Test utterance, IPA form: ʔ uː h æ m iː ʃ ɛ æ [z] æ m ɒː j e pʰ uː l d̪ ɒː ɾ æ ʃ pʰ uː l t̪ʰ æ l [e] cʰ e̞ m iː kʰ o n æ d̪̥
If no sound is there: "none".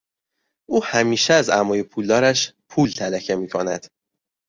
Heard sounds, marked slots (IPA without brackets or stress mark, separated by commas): z, æ